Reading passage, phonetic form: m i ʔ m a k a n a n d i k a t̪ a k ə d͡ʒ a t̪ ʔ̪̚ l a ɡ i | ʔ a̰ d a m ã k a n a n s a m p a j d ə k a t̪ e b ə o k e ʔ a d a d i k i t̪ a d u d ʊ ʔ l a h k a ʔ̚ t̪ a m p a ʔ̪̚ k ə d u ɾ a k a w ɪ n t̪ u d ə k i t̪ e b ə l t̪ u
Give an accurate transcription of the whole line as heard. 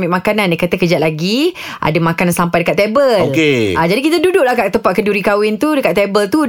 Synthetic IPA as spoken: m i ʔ m a k a n a n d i k a t̪ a k ə d͡ʒ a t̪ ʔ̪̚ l a ɡ i | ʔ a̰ d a m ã k a n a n s a m p a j d ə k a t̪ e b ə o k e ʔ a d͡ʒ a d i k i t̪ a d u d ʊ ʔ l a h k a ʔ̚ t̪ ə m p a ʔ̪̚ k ə d u ɾ i k a w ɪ n t̪ u d ə k a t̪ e b ə l t̪ u